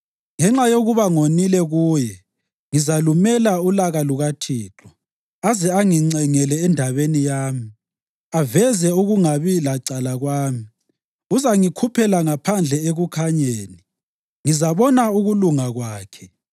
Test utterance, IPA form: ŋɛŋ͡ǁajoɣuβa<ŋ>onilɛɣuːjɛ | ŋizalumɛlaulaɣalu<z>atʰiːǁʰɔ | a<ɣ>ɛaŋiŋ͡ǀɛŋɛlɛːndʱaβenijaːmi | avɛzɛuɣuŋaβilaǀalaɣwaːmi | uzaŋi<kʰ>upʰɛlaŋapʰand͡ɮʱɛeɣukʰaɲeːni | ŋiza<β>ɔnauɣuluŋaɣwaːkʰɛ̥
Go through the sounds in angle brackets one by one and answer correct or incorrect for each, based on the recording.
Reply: correct, incorrect, incorrect, correct, correct

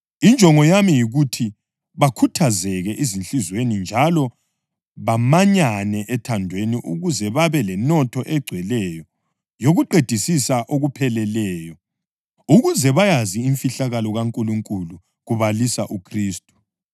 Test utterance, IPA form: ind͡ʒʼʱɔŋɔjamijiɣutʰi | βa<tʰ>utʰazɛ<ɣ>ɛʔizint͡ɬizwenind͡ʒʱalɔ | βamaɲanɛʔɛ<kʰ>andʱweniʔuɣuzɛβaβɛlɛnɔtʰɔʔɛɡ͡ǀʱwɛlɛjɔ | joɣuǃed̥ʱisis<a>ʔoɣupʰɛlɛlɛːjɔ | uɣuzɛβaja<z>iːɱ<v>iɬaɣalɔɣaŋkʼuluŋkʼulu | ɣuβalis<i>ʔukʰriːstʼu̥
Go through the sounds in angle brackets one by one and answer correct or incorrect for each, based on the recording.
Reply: incorrect, correct, incorrect, correct, correct, incorrect, incorrect

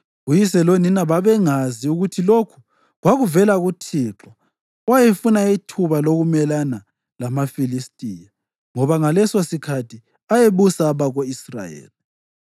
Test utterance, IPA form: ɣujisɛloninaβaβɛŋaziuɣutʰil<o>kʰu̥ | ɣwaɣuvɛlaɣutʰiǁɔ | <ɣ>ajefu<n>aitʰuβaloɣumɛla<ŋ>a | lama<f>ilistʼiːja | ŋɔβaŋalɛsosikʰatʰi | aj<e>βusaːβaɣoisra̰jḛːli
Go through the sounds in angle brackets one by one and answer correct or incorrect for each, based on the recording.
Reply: correct, incorrect, correct, incorrect, correct, correct

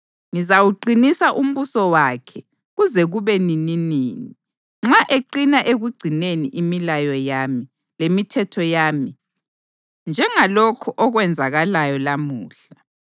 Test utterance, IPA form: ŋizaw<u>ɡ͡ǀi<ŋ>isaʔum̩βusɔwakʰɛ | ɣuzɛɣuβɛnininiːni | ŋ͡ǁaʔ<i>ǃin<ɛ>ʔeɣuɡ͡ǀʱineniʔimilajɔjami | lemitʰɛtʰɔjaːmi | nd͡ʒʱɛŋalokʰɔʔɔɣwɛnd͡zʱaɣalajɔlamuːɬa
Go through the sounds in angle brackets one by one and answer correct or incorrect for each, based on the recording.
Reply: correct, incorrect, incorrect, incorrect

